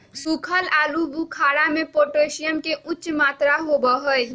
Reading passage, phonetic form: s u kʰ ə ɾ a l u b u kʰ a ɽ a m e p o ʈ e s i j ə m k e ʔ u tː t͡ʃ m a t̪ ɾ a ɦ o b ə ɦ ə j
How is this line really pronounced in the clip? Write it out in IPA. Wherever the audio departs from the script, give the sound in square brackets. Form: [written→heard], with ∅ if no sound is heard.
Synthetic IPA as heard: s u kʰ ə [ɾ→l] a l u b u kʰ a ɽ a m e p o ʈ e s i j ə m k e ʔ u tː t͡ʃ m a t̪ ɾ a ɦ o b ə ɦ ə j